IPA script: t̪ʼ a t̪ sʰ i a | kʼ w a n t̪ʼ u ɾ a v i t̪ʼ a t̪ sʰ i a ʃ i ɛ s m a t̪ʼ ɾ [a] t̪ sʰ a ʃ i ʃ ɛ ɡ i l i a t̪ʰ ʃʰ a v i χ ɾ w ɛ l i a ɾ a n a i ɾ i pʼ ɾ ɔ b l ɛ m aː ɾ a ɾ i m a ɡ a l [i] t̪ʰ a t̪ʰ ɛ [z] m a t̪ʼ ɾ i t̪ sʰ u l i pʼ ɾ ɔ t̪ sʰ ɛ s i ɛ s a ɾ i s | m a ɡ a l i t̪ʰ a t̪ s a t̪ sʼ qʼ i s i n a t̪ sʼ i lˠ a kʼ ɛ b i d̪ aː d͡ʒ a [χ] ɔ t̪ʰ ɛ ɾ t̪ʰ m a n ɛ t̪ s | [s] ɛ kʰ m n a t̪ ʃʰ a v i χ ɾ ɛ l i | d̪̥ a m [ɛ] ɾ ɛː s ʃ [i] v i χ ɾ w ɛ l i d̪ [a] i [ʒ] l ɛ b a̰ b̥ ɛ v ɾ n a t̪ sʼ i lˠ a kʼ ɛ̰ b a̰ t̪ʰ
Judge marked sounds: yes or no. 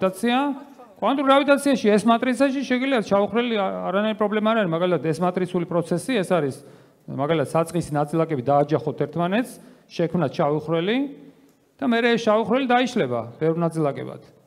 no, yes, no, yes, no, yes, no, yes, no

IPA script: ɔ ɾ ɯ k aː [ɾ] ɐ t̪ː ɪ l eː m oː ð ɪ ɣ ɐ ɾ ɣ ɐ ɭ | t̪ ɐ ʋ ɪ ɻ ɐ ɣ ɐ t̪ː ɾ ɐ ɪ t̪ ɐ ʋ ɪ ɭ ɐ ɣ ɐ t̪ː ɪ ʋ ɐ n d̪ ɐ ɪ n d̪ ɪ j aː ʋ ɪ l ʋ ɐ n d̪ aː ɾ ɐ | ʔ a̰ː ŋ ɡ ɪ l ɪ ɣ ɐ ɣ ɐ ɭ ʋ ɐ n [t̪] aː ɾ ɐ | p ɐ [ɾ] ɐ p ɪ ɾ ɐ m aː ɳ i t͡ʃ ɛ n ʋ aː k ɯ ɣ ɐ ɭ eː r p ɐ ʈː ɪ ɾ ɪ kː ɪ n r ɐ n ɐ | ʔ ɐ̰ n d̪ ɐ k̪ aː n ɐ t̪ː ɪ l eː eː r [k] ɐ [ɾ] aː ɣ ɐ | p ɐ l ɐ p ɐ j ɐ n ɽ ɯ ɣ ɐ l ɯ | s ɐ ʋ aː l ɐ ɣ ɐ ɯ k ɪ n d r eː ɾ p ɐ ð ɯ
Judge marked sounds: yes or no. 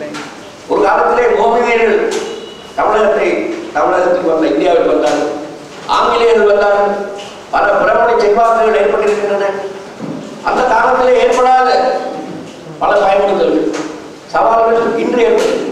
no, no, no, no, no

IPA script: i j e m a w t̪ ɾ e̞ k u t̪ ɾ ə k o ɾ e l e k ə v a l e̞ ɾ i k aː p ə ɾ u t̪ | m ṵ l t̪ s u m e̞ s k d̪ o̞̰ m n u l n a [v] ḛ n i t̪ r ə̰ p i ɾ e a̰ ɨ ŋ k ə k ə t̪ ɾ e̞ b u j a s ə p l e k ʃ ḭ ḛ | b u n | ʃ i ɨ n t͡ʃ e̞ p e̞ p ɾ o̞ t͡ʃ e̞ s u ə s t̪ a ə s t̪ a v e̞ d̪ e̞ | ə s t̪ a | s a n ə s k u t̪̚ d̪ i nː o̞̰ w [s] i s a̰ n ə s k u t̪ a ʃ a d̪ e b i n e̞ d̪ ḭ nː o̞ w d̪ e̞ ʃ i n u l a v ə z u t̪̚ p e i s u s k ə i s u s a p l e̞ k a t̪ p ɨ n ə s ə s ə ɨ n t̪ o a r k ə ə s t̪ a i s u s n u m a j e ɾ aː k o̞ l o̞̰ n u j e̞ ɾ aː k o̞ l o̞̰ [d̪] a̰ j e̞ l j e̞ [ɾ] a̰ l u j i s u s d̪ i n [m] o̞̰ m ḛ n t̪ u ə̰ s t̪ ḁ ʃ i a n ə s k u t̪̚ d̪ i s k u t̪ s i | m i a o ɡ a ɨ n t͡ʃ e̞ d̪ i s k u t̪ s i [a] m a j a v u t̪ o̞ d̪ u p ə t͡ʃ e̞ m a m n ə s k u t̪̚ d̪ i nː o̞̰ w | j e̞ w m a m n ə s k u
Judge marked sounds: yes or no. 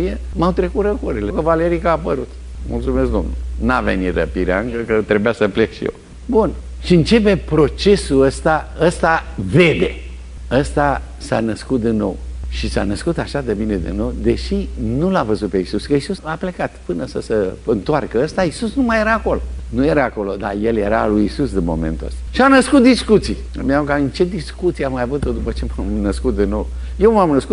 yes, no, yes, yes, yes, yes

